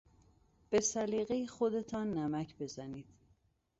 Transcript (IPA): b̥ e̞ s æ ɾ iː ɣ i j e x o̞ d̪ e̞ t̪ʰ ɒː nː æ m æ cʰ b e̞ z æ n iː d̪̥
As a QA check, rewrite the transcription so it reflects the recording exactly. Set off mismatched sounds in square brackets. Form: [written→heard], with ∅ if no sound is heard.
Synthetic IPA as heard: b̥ e̞ s æ [ɾ→l] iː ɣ [i→e] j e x o̞ d̪ e̞ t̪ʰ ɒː nː æ m æ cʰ b e̞ z æ n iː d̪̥

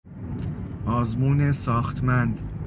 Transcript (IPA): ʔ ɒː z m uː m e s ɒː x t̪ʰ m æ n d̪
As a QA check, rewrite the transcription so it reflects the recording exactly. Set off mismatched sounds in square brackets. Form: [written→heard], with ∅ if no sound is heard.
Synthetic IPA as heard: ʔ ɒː z m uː [m→n] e s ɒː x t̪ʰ m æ n d̪

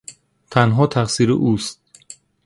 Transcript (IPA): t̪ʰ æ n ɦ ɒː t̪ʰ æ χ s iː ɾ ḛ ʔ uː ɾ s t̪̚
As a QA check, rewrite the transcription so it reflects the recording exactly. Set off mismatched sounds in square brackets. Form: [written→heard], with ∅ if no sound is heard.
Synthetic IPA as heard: t̪ʰ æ n ɦ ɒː t̪ʰ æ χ s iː ɾ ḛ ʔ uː [ɾ→∅] s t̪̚

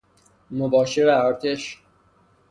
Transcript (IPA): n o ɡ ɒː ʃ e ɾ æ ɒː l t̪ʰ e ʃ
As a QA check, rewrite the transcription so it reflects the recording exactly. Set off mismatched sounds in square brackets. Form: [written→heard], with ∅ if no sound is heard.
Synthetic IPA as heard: [n→m] o [ɡ→b] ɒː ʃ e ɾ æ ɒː [l→ɾ] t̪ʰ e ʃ

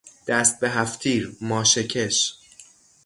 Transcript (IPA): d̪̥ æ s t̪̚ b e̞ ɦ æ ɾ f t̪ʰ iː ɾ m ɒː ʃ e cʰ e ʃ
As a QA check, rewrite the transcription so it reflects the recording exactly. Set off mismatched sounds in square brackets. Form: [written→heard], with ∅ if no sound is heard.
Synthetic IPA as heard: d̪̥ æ s t̪̚ b e̞ ɦ æ [ɾ→∅] f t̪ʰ iː ɾ m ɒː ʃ e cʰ e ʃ

